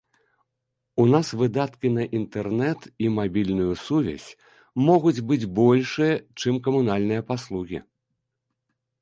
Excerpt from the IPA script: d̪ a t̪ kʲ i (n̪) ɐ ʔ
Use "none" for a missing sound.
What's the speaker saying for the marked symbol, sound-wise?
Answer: n̪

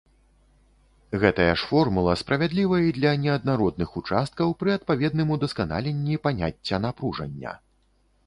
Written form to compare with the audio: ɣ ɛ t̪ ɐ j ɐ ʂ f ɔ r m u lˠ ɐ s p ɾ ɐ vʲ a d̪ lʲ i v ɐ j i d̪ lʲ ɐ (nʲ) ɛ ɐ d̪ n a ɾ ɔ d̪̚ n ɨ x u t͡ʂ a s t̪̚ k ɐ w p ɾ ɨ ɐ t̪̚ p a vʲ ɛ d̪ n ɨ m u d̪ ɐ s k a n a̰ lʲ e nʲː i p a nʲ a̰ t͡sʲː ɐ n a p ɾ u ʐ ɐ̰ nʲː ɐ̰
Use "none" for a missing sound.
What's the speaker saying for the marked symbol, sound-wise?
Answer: nʲ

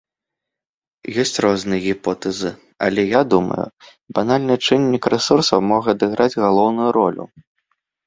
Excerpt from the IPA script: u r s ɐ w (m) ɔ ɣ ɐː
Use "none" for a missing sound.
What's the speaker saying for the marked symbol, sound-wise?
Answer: m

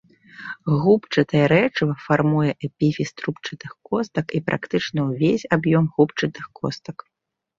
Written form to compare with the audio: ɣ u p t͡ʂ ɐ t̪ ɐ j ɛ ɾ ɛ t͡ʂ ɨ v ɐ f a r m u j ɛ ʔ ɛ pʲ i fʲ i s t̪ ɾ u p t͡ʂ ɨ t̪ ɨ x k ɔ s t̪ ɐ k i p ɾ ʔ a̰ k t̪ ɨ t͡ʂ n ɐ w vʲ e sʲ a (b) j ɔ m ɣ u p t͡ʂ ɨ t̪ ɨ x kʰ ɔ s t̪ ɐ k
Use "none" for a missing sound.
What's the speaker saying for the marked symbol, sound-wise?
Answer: b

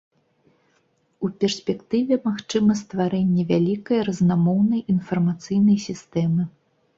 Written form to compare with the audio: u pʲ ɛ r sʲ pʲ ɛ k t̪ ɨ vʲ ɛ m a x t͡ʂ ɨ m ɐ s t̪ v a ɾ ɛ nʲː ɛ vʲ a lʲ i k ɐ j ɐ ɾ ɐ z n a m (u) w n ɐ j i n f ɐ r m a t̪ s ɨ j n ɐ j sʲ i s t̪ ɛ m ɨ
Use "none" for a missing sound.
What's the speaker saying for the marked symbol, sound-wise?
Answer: ɔ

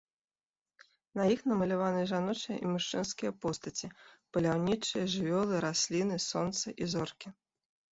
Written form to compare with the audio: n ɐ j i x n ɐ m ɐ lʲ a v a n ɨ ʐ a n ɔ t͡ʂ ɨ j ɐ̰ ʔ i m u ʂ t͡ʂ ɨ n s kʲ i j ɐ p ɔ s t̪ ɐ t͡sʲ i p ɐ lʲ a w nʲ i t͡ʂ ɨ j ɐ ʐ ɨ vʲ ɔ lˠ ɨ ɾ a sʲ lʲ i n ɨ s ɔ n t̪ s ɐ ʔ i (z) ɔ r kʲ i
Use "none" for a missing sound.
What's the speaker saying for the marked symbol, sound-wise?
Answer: z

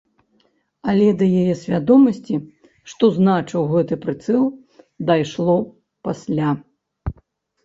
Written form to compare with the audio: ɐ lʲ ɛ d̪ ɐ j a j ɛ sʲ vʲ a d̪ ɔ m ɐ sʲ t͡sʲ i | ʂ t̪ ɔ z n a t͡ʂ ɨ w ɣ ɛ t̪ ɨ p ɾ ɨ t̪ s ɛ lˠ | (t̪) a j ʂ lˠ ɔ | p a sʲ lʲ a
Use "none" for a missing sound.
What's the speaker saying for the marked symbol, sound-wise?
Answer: d̪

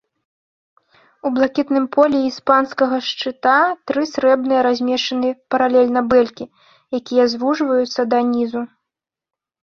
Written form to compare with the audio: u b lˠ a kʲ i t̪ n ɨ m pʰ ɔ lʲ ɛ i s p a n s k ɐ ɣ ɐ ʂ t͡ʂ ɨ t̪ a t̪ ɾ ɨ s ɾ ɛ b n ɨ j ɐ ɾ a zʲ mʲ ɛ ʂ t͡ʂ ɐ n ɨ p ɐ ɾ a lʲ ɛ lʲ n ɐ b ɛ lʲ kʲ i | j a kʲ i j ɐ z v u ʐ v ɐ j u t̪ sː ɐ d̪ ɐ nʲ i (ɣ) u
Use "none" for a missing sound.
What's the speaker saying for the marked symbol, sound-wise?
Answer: z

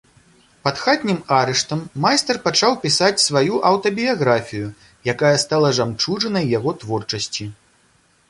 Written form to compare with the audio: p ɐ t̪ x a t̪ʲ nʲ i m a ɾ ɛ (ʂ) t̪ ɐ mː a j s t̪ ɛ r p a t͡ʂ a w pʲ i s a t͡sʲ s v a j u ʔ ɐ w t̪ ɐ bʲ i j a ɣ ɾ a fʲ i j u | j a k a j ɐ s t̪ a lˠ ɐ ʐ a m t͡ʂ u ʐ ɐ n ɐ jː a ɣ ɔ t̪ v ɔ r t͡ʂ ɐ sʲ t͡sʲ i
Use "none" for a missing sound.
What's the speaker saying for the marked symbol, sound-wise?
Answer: ʂ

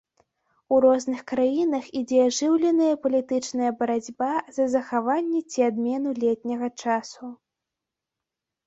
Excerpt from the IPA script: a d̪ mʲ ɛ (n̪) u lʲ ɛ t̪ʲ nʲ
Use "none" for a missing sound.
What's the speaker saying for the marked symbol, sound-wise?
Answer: n̪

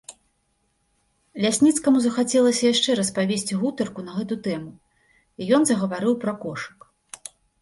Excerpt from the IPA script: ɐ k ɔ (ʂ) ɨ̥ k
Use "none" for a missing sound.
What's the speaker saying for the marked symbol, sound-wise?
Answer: ʂ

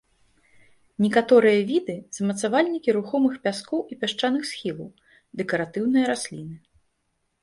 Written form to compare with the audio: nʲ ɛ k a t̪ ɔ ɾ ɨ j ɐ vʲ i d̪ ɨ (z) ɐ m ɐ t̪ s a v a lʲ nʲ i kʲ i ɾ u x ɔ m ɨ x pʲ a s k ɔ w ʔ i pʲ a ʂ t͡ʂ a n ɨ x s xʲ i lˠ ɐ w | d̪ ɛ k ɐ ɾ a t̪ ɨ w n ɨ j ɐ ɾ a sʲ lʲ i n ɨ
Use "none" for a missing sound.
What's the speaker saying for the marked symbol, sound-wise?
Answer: z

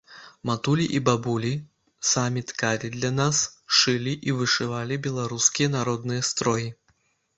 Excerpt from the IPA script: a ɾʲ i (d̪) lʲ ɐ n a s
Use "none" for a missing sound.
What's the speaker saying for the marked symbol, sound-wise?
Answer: d̪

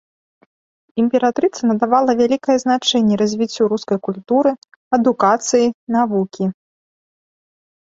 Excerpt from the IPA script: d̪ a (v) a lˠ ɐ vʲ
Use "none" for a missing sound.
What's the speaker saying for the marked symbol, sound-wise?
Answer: v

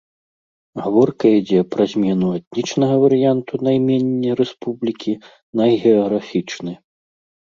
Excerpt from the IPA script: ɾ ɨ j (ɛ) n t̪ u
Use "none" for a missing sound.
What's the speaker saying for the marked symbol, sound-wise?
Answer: a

